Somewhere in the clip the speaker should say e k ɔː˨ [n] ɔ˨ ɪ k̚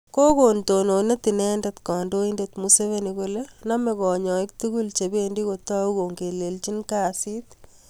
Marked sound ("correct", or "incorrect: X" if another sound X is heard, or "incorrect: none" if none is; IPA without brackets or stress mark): incorrect: ɲ